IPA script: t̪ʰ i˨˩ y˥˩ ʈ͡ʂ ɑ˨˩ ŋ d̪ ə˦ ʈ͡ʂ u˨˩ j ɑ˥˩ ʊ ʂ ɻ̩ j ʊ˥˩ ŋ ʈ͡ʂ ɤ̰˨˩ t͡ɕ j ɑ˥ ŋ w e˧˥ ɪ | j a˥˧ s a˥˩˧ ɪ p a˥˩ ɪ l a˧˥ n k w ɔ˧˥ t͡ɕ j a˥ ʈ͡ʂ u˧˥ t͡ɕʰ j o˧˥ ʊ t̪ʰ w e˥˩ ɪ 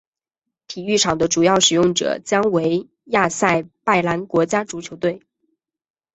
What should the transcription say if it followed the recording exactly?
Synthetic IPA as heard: t̪ʰ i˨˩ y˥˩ ʈ͡ʂʰ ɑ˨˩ ŋ d̪ ə˦ ʈ͡ʂ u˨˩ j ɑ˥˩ ʊ ʂ ɻ̩ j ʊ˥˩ ŋ ʈ͡ʂ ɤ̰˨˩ t͡ɕ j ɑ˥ ŋ w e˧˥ ɪ | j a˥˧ s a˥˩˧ ɪ p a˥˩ ɪ l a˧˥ n k w ɔ˧˥ t͡ɕ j a˥ ʈ͡ʂ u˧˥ t͡ɕʰ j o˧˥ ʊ t̪ w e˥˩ ɪ